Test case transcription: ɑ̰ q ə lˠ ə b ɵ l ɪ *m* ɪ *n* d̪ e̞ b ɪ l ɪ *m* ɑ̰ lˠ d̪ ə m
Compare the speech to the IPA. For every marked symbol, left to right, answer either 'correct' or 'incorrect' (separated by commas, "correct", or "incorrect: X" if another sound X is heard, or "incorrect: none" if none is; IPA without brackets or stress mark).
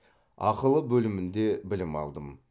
correct, correct, correct